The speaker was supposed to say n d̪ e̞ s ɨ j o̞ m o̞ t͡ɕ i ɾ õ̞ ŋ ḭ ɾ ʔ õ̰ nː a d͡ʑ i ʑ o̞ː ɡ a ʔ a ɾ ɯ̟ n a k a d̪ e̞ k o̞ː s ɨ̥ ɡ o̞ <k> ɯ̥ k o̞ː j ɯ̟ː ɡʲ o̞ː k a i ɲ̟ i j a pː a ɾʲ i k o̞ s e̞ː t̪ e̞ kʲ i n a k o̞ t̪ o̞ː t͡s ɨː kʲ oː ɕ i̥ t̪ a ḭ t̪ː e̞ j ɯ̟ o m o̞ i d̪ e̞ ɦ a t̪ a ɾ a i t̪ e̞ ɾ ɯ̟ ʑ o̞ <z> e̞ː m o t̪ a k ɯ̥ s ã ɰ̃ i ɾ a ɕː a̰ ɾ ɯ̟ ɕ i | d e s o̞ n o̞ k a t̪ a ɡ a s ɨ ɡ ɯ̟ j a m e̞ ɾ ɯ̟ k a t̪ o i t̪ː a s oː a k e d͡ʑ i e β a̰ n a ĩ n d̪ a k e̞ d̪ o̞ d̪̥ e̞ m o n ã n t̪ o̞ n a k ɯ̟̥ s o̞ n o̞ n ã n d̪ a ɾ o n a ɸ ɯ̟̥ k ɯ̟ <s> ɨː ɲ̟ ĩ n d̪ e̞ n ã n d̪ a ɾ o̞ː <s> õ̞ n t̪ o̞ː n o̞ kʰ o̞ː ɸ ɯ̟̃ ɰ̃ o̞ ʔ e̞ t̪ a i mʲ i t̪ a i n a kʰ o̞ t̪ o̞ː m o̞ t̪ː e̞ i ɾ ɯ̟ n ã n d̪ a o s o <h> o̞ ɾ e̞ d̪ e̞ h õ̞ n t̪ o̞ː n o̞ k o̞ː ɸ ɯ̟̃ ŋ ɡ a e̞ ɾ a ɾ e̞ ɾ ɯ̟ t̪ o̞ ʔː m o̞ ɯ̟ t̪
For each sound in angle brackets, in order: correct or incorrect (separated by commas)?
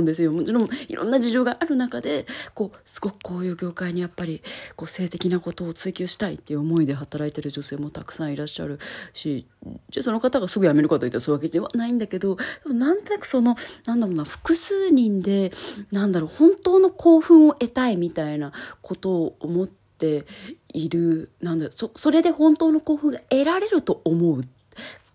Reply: correct, incorrect, correct, incorrect, incorrect